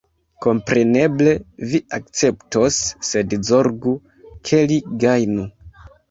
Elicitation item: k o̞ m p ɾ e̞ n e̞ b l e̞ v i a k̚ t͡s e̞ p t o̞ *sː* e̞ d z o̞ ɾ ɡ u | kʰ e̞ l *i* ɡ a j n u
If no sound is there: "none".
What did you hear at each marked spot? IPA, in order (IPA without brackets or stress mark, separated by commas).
sː, i